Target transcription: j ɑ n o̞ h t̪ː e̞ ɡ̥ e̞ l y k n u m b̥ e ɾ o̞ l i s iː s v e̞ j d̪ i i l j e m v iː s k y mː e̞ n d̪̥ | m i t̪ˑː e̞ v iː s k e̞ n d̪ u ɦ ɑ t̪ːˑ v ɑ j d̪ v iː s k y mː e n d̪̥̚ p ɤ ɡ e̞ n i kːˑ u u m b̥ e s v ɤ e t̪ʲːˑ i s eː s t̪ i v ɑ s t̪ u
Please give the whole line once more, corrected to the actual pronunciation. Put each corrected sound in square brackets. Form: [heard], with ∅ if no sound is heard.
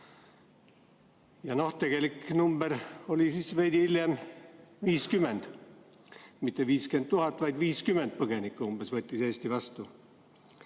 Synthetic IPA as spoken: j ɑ n o̞ h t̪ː e̞ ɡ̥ e̞ l [i] k n u m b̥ e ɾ o̞ l i s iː s v e̞ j d̪ i i l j e m v iː s k y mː e̞ n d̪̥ | m i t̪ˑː e̞ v iː s k e̞ n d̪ u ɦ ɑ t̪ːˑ v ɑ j d̪ v iː s k y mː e n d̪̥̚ p ɤ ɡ e̞ n i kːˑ u u m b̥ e s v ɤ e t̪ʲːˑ i s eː s t̪ i v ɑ s t̪ u